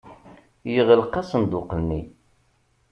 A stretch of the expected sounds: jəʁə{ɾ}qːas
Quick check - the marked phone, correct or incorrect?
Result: incorrect